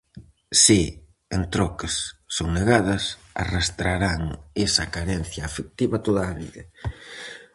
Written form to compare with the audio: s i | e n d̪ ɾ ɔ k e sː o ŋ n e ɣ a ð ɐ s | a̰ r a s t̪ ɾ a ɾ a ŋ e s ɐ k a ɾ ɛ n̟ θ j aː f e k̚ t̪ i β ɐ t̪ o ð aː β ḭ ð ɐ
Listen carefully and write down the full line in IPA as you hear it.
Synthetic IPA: s i | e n t̪ ɾ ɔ k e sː o ŋ n e ɣ a ð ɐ s | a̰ r a s t̪ ɾ a ɾ a ŋ e s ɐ k a ɾ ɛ n̟ θ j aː f e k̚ t̪ i β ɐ t̪ o ð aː β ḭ ð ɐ